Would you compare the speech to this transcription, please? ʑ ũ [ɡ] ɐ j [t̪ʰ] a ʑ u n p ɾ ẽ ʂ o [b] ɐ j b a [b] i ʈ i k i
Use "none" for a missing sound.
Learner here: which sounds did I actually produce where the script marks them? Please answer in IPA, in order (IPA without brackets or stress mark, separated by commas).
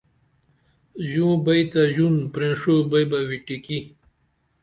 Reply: b, t̪, b, w